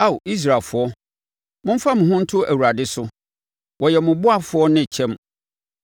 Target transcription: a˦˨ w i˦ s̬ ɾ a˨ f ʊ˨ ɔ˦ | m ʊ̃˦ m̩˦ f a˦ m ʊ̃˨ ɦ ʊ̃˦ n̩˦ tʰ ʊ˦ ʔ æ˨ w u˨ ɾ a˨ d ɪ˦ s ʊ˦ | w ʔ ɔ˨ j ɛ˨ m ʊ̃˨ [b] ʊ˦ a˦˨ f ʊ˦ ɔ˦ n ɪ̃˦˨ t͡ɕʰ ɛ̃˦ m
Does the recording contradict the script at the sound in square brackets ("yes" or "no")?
no